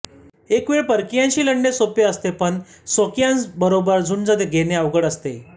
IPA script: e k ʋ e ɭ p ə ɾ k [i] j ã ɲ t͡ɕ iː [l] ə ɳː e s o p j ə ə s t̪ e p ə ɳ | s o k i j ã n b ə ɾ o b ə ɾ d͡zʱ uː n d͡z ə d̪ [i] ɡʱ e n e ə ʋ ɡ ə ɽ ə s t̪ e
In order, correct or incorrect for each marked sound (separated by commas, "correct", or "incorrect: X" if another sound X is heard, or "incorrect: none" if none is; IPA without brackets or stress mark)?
correct, correct, incorrect: e